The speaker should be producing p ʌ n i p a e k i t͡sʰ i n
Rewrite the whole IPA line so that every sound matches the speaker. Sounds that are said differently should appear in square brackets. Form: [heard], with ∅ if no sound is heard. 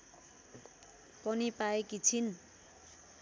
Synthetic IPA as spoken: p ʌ n i p a e k i t͡sʰ i n